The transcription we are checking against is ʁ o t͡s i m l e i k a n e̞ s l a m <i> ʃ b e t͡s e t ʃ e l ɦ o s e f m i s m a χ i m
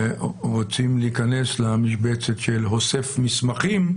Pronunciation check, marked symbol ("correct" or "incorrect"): correct